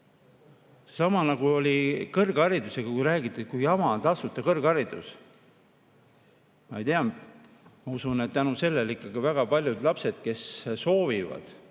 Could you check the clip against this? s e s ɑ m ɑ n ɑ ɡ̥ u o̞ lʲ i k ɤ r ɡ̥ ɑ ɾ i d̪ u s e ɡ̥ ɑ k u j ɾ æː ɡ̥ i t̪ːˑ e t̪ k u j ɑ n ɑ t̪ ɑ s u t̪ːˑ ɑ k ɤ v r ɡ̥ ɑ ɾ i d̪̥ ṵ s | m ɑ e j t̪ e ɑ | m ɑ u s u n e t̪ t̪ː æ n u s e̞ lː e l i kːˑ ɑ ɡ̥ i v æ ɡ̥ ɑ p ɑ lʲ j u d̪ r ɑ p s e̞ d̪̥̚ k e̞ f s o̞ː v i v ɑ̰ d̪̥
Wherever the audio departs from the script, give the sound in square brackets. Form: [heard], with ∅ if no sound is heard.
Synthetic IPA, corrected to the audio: s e s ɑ m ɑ n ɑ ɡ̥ u o̞ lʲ i k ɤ r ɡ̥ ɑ ɾ i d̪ u s e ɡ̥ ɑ k u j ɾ æː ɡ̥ i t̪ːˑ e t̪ k u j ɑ [m] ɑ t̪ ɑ s u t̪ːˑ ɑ k ɤ [∅] r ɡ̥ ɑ ɾ i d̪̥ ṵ s | m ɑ e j t̪ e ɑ | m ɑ u s u n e t̪ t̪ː æ n u s e̞ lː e l i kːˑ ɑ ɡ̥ i v æ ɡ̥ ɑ p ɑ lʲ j u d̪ [l] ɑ p s e̞ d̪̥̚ k e̞ [s] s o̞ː v i v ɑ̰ d̪̥